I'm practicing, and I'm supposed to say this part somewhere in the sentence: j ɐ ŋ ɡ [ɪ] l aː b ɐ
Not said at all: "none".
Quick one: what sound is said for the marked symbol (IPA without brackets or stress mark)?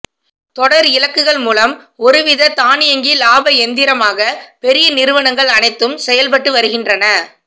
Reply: i